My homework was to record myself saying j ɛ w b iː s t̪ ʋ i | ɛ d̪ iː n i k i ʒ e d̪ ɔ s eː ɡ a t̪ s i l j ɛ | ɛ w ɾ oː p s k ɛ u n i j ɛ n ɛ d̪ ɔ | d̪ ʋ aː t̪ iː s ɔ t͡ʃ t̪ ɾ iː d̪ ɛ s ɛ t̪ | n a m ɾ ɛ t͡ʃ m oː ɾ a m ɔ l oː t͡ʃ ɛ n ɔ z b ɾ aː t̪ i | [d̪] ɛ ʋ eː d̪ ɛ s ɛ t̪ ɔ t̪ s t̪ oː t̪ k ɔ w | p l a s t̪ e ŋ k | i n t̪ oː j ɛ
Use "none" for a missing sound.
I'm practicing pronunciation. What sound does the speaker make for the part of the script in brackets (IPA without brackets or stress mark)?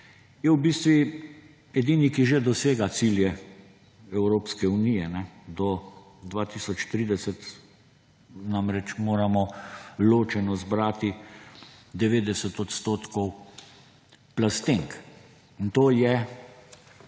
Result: d̪